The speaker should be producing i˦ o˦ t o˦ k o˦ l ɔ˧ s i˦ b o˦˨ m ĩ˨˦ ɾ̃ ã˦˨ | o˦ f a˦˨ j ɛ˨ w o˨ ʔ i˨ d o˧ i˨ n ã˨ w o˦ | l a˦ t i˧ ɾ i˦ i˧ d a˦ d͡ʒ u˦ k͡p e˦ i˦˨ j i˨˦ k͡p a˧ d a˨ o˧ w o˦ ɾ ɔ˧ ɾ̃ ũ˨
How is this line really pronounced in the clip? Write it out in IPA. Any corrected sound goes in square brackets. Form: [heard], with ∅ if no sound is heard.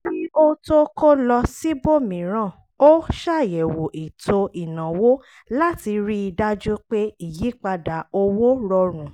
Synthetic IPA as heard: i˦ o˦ t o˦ k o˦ l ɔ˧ s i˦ b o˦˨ m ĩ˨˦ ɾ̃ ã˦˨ | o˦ [ʃ] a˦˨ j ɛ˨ w o˨ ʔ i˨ [t] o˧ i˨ n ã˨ w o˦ | l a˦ t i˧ ɾ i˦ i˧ d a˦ d͡ʒ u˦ k͡p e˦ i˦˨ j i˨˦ k͡p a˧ d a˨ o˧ w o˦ ɾ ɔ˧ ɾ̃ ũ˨